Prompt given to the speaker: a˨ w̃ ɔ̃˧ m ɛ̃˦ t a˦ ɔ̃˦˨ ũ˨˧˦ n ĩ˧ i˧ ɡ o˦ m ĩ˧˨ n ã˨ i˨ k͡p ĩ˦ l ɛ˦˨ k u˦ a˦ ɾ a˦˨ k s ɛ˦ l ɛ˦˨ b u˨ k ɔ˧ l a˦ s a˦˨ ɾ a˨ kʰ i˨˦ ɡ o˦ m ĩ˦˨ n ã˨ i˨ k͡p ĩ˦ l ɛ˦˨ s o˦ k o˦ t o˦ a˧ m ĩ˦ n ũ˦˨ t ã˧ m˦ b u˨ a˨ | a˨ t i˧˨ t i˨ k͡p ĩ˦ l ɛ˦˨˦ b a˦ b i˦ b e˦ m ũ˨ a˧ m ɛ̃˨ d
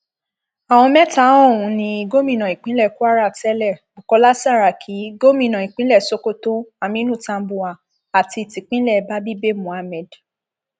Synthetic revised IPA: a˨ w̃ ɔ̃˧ m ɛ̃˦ t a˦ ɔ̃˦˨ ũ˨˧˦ n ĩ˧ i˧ ɡ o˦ m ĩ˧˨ n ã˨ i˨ k͡p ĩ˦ l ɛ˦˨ k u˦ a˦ ɾ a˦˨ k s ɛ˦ l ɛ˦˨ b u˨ k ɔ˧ l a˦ s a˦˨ ɾ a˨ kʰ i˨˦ ɡ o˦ m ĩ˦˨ n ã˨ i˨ k͡p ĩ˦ l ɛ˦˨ s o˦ k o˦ t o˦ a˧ m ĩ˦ n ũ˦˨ t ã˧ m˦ b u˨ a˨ | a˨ t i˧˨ t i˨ k͡p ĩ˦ l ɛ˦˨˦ b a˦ b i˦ b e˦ m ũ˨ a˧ m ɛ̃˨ d